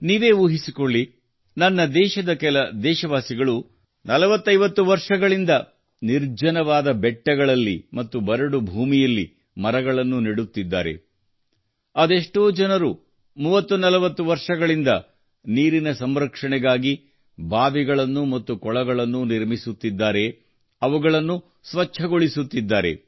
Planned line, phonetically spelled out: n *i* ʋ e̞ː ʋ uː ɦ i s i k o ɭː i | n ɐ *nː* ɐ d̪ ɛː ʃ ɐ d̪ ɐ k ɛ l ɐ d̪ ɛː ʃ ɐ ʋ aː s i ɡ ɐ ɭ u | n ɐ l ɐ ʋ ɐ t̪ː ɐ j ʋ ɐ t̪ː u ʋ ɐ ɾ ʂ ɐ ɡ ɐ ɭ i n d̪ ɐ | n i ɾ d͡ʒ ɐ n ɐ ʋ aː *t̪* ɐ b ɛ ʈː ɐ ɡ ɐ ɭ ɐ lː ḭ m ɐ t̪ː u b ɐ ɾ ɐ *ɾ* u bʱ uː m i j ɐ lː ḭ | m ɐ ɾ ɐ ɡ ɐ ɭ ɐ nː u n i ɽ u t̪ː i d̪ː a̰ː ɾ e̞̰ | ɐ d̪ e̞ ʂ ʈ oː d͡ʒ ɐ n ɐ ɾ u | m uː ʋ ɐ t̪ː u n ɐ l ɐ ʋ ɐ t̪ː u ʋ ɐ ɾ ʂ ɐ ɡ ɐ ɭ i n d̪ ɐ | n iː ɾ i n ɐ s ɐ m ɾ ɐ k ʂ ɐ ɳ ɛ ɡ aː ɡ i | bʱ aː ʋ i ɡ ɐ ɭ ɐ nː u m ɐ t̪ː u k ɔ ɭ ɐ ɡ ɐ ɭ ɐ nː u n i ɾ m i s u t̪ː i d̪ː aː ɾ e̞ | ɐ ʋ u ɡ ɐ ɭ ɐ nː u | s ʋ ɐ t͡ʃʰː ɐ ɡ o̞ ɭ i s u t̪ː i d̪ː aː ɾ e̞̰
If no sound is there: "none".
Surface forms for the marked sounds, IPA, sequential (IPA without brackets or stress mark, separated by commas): iː, nː, d̪, ɽ